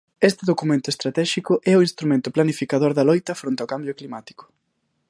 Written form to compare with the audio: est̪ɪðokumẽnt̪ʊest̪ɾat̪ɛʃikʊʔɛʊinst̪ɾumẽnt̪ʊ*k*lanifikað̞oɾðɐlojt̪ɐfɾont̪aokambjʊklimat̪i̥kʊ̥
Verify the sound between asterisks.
incorrect: p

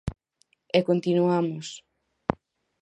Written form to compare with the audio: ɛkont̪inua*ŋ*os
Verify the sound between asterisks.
incorrect: m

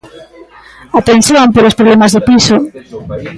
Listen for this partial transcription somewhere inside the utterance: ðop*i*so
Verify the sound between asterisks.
correct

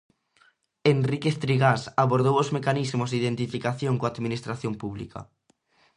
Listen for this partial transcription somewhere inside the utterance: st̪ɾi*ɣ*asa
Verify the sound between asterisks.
correct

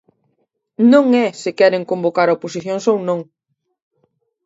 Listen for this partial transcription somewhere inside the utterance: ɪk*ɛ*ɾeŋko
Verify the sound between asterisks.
correct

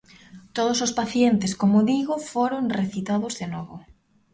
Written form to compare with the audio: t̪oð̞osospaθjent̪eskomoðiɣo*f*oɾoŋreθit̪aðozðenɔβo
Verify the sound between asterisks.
correct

